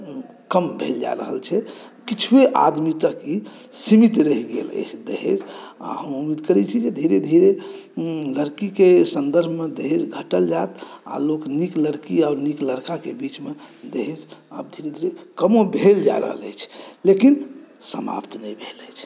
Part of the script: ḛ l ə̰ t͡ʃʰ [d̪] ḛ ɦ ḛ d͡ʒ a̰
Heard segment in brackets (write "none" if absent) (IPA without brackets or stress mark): d̪